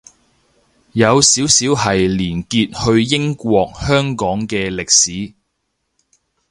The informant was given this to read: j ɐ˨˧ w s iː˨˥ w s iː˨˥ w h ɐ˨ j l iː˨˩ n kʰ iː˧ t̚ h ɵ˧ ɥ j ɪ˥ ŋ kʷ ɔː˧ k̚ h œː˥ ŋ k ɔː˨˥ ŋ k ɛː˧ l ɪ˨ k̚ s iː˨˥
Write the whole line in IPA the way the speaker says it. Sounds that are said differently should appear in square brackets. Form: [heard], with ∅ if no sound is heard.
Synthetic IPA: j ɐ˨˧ w s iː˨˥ w s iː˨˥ w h ɐ˨ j l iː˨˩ n [k] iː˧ t̚ h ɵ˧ ɥ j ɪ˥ ŋ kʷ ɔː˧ k̚ h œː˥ ŋ k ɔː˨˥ ŋ k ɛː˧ l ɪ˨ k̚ s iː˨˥

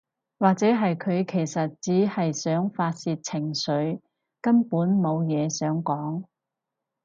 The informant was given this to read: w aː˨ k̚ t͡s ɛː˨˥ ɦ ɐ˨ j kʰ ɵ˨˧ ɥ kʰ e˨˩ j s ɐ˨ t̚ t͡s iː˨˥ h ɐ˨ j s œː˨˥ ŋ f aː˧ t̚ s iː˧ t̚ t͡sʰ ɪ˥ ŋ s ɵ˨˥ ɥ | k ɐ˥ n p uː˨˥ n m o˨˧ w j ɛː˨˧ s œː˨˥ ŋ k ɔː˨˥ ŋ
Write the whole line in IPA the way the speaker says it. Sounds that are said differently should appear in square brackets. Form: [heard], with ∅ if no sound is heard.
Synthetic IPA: w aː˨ k̚ t͡s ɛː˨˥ ɦ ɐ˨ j kʰ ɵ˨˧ ɥ kʰ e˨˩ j s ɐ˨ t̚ t͡s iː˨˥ h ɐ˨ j s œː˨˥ ŋ f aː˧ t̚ s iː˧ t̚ t͡sʰ [ɪ˨˩] ŋ s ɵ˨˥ ɥ | k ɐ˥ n p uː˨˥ n m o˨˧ w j ɛː˨˧ s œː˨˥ ŋ k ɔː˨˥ ŋ

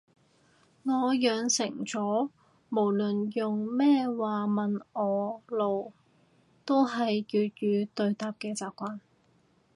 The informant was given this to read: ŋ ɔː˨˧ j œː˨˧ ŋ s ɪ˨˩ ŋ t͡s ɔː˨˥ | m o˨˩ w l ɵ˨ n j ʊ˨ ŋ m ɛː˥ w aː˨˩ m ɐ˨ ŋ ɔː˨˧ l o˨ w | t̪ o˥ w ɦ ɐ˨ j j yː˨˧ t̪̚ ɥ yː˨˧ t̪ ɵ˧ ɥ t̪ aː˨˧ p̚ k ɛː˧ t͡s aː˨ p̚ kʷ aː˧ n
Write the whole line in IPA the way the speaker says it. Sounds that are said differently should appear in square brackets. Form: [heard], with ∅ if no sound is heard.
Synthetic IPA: ŋ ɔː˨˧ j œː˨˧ ŋ s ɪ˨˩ ŋ t͡s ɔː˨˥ | m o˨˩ w l ɵ˨ n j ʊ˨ ŋ m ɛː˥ w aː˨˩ m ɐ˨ [n] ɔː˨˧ l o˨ w | t̪ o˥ w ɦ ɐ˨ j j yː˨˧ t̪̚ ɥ yː˨˧ t̪ ɵ˧ ɥ t̪ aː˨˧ p̚ k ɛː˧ t͡s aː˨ p̚ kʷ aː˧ n

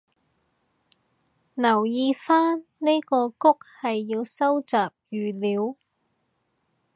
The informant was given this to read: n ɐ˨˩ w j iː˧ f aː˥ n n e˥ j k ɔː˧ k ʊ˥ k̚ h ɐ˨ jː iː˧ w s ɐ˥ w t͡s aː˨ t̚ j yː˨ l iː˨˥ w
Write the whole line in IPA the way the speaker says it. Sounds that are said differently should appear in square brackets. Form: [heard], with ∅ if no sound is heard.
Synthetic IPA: n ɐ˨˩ w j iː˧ f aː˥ n n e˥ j k ɔː˧ k ʊ˥ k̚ h ɐ˨ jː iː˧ w s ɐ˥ w t͡s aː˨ [p̚] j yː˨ l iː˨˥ w

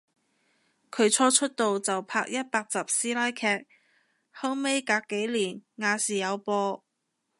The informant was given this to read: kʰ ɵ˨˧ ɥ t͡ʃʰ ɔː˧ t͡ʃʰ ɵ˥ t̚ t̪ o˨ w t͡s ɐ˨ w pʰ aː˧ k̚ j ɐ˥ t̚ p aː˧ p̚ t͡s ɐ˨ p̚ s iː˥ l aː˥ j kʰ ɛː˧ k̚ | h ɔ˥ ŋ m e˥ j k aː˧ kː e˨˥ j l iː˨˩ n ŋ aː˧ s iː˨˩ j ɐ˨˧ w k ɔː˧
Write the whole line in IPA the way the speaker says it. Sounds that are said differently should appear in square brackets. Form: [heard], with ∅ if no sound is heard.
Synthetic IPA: kʰ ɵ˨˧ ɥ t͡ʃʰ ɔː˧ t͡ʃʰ ɵ˥ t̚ t̪ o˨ w t͡s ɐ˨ w pʰ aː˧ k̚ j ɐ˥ t̚ p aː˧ [k̚] t͡s ɐ˨ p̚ s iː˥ l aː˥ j kʰ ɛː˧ k̚ | h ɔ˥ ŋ m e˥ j k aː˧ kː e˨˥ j l iː˨˩ n ŋ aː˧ s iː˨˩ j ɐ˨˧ w [p] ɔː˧

